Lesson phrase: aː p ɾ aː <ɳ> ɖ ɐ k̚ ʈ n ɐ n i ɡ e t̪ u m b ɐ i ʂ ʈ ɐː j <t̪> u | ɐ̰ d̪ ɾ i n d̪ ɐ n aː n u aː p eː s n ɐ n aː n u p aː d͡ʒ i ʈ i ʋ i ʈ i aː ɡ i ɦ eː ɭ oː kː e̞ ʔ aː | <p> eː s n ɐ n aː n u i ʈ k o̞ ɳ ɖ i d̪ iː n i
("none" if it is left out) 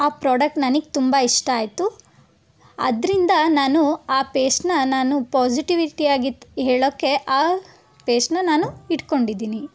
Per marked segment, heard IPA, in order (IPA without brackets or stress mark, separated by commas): none, t̪, p